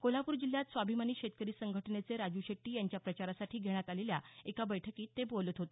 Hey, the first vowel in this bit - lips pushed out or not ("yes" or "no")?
yes